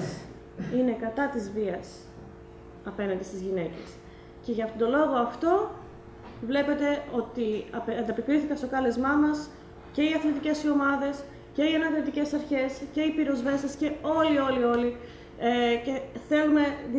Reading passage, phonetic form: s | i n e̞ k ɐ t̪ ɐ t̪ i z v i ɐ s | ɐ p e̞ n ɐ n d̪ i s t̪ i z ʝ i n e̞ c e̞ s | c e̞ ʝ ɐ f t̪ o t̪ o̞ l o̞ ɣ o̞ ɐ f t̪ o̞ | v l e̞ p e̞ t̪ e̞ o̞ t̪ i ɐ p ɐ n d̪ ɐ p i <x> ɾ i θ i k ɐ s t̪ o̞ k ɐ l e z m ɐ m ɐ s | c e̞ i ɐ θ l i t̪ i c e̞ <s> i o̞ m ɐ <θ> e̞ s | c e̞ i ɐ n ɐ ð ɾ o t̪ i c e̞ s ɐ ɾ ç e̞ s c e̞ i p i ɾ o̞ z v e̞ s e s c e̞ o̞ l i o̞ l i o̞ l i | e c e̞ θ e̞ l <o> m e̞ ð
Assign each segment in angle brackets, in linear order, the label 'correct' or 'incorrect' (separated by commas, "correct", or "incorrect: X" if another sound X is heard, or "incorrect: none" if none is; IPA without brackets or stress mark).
incorrect: k, correct, incorrect: ð, incorrect: u